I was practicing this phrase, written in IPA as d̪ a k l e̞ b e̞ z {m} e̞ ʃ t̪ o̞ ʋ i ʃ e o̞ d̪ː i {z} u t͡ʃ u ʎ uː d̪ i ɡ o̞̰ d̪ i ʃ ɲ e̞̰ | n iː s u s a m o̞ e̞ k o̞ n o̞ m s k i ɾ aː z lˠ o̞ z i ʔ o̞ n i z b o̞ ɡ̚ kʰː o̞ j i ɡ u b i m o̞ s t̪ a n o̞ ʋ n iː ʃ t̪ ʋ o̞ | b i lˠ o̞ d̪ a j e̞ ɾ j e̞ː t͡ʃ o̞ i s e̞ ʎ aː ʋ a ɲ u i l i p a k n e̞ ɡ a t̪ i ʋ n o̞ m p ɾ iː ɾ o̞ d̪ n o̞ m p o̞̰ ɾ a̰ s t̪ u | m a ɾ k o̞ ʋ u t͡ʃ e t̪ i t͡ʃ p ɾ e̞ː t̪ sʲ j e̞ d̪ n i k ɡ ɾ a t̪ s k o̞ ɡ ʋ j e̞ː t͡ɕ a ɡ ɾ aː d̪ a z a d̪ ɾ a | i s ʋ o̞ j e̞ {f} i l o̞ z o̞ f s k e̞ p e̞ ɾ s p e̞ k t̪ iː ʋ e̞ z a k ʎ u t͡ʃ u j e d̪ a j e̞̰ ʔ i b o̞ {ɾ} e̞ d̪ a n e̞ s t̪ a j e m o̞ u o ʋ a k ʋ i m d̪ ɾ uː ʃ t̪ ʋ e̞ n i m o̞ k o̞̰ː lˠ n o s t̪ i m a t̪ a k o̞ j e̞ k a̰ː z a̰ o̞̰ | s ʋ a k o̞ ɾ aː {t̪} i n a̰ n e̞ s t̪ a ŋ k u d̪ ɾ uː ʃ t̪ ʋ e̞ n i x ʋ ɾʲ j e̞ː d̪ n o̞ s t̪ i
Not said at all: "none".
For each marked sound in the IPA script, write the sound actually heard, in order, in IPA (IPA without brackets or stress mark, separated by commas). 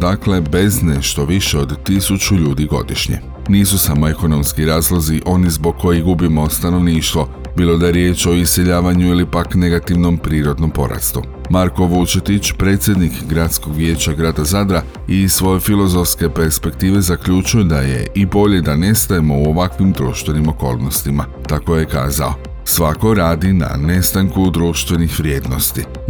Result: n, s, f, ʎ, d̪